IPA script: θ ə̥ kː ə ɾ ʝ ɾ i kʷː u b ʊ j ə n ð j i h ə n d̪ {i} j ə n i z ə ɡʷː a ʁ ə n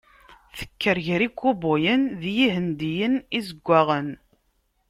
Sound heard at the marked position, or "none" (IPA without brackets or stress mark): i